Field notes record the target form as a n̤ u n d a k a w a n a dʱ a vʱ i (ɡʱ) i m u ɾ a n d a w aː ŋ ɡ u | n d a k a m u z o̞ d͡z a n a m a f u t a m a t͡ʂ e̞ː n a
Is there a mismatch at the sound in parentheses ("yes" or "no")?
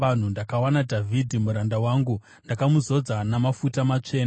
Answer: yes